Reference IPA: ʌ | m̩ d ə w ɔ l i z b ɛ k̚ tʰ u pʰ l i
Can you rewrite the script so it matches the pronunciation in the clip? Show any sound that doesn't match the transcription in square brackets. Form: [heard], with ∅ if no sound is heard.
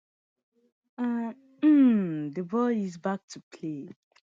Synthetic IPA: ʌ | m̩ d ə [b] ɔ l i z b [a] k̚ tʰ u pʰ l [e]